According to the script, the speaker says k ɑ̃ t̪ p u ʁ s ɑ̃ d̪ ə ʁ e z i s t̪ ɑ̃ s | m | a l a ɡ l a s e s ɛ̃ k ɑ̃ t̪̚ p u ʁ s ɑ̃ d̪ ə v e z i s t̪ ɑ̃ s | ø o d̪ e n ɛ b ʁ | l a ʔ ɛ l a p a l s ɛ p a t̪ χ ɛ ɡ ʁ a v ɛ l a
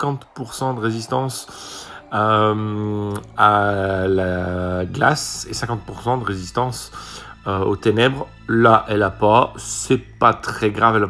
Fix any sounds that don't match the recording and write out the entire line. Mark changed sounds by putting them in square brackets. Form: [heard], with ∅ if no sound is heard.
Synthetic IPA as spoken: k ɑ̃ t̪ p u ʁ s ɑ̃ d̪ ə ʁ e z i s t̪ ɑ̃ s | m | a l a ɡ l a s e s ɛ̃ k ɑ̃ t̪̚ p u ʁ s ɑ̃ d̪ ə [ʁ] e z i s t̪ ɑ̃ s | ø o [t̪] e n ɛ b ʁ | l a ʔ ɛ l a p a [∅] s ɛ p a t̪ χ ɛ ɡ ʁ a v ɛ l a